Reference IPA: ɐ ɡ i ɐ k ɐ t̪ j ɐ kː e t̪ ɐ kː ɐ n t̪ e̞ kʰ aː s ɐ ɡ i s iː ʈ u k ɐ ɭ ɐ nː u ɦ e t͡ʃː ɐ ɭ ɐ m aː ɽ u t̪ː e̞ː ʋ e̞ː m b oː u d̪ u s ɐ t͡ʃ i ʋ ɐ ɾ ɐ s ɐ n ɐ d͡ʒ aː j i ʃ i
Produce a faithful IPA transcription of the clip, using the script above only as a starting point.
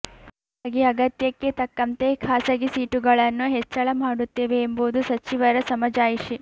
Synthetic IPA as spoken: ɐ ɡ i ɐ ɡ ɐ t̪ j ɐ kː e t̪ ɐ kː ɐ n t̪ e̞ kʰ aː s ɐ ɡ i s iː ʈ u ɡ ɐ ɭ ɐ nː u ɦ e t͡ʃː ɐ ɭ ɐ m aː ɽ u t̪ː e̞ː ʋ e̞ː m b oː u d̪ u s ɐ t͡ʃ i ʋ ɐ ɾ ɐ s ɐ m ɐ d͡ʒ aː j i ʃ i

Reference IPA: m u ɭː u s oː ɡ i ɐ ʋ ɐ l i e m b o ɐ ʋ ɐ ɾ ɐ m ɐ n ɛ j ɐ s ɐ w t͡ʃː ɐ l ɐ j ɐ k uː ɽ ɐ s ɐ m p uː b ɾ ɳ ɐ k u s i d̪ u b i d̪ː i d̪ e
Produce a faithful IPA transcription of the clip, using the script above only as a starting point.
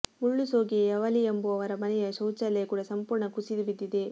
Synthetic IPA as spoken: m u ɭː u s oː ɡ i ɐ ʋ ɐ l i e m b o ɐ ʋ ɐ ɾ ɐ m ɐ n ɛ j ɐ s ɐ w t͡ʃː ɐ l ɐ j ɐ k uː ɽ ɐ s ɐ m p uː ɾ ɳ ɐ k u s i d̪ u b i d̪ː i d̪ e

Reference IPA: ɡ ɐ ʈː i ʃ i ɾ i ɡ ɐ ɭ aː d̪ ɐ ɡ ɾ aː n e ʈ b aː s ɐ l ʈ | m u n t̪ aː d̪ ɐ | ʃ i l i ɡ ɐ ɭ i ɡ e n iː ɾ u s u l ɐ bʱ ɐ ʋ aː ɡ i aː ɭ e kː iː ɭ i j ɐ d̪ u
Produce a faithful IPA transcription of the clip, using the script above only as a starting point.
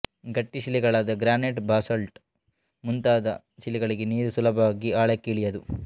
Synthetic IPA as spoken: ɡ ɐ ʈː i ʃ i l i ɡ ɐ ɭ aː d̪ ɐ ɡ ɾ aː n e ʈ b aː s ɐ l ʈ | m u n t̪ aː d̪ ɐ | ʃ i l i ɡ ɐ ɭ i ɡ e n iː ɾ u s u l ɐ bʱ ɐ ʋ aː ɡ i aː ɭ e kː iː ɭ i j ɐ d̪ u

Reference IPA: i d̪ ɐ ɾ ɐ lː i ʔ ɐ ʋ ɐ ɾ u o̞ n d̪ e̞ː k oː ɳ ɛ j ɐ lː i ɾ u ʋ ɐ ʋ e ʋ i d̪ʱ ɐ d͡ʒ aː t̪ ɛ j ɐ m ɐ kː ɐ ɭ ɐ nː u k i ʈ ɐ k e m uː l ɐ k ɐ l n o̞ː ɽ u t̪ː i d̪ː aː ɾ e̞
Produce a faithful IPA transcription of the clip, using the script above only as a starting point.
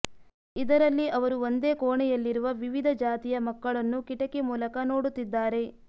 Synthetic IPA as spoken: i d̪ ɐ ɾ ɐ lː i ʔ ɐ ʋ ɐ ɾ u o̞ n d̪ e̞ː k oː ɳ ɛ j ɐ lː i ɾ u ʋ ɐ ʋ i ʋ i d̪ʱ ɐ d͡ʒ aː t̪ i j ɐ m ɐ kː ɐ ɭ ɐ nː u k i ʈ ɐ k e m uː l ɐ k ɐ n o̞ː ɽ u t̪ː i d̪ː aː ɾ e̞

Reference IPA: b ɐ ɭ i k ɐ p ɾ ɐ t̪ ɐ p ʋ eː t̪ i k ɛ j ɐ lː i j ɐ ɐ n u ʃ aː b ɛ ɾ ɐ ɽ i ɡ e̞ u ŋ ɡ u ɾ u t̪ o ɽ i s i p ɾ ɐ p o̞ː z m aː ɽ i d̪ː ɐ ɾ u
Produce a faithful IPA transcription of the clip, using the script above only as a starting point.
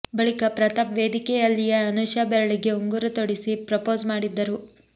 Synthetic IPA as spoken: b ɐ ɭ i k ɐ p ɾ ɐ t̪ ɐ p ʋ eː d̪ i k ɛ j ɐ lː i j ɐ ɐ n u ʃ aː b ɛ ɾ ɐ ɭ i ɡ e̞ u ŋ ɡ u ɾ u t̪ o ɽ i s i p ɾ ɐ p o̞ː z m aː ɽ i d̪ː ɐ ɾ u

